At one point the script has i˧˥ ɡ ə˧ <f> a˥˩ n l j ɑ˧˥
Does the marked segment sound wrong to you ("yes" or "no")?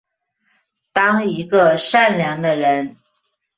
yes